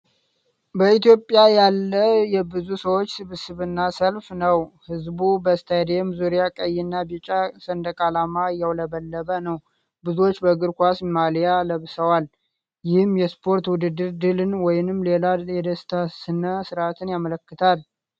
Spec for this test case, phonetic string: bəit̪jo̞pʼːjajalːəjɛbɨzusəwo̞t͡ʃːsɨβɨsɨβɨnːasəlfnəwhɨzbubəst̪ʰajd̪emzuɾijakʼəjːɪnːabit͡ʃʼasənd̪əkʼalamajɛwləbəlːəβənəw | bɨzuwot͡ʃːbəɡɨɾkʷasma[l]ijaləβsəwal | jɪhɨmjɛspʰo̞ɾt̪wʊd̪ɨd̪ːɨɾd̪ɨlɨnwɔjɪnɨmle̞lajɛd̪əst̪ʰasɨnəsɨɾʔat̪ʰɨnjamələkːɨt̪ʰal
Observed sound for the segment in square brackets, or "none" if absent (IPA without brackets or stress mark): l